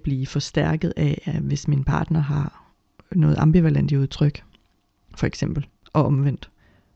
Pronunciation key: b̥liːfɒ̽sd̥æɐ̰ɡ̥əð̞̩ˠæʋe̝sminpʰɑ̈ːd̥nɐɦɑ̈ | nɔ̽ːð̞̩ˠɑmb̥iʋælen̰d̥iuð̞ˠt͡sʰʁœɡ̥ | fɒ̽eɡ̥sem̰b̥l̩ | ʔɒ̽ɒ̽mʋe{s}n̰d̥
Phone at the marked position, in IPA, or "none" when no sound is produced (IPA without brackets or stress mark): none